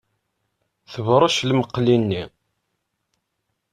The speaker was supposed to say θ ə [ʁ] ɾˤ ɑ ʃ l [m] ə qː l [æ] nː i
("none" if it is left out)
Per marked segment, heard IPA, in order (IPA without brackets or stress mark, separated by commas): v, m, i